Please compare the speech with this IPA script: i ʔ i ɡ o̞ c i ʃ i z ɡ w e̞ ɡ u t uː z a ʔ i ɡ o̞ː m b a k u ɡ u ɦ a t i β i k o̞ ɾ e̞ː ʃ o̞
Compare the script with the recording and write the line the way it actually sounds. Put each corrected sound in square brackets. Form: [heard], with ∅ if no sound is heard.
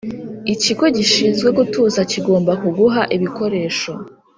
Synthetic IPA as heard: i [c] i ɡ o̞ [ɟ] i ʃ i z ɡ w e̞ ɡ u t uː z a [c] i ɡ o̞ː m b a k u ɡ u ɦ a [ʔ] i β i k o̞ ɾ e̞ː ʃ o̞